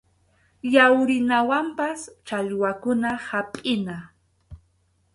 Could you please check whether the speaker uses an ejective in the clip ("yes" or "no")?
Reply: yes